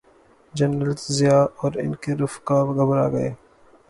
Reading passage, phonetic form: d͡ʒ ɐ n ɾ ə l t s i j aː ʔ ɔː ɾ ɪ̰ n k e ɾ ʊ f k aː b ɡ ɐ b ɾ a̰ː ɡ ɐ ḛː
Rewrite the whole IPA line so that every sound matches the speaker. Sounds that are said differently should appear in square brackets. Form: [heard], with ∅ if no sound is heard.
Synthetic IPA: d͡ʒ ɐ n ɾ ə l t [z] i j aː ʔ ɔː ɾ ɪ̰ n k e ɾ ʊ f k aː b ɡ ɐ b ɾ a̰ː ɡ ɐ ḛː